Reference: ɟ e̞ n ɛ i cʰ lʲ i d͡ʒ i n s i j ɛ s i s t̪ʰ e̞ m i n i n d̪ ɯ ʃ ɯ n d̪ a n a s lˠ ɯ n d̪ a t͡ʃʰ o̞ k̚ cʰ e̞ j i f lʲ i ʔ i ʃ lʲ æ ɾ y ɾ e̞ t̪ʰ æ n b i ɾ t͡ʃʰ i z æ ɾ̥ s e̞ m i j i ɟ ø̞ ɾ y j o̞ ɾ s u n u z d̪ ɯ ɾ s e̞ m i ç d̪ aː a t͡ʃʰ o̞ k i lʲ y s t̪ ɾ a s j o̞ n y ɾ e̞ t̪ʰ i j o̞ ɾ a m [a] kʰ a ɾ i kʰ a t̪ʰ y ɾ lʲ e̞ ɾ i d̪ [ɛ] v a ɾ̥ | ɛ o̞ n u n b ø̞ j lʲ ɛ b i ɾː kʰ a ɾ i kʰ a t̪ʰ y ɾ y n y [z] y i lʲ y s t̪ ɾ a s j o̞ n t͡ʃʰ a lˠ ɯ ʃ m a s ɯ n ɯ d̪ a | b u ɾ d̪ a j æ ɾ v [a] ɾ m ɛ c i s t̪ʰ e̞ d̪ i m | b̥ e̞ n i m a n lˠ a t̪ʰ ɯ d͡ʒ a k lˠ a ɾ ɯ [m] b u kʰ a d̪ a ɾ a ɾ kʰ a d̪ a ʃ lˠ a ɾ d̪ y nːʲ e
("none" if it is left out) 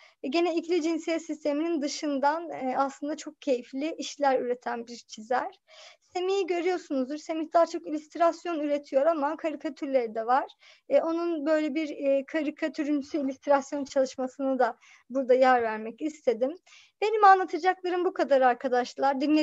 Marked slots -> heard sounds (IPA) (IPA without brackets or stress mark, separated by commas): a, ɛ, s, æ, m